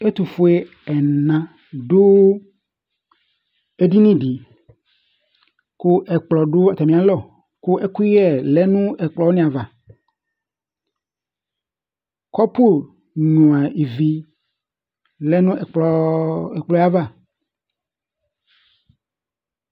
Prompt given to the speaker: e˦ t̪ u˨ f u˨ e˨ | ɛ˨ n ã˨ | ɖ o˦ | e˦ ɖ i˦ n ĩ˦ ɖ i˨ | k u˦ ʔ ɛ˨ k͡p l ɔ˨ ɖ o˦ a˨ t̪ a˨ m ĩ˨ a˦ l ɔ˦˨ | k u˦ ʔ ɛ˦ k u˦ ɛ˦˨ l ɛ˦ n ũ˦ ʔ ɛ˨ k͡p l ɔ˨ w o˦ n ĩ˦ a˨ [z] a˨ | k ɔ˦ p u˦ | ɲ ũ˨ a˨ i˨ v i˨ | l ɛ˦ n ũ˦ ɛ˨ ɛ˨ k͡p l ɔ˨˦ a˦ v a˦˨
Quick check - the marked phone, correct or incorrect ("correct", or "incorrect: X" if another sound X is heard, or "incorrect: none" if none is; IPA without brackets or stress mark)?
incorrect: v